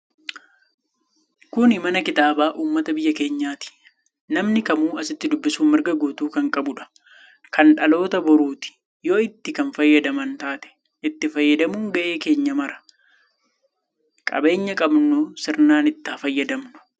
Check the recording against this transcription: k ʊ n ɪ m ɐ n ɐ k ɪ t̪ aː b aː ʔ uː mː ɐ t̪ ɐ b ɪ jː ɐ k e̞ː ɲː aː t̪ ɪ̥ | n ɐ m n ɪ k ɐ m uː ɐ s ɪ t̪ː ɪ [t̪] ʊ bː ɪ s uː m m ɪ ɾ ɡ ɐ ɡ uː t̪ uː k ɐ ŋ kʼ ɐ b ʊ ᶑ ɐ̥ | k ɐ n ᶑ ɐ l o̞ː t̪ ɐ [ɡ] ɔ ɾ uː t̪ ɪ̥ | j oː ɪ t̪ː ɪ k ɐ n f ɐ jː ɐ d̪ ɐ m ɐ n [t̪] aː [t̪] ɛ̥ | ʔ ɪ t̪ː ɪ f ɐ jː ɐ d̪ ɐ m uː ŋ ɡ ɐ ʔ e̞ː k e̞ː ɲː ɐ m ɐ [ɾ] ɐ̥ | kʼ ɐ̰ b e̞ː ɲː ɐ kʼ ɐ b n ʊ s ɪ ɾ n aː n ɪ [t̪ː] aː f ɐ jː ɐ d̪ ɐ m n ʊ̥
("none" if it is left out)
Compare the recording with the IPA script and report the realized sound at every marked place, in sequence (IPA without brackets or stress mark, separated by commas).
d̪, b, t̪, t̪, ɾ, t̪ː